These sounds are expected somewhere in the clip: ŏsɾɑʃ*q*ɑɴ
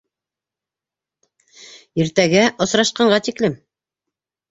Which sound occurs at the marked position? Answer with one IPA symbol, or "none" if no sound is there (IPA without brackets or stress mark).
q